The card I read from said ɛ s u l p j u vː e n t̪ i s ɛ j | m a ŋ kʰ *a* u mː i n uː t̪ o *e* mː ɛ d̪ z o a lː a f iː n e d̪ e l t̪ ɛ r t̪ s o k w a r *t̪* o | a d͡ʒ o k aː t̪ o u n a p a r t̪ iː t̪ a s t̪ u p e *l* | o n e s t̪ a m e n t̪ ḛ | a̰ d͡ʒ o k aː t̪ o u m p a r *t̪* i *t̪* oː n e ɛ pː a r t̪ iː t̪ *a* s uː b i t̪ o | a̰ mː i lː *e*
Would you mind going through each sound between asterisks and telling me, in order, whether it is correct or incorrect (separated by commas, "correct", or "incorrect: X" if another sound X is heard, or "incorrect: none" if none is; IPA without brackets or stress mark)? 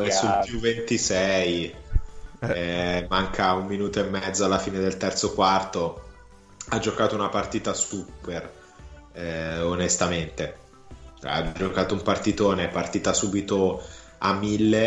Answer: correct, correct, correct, incorrect: r, correct, correct, correct, correct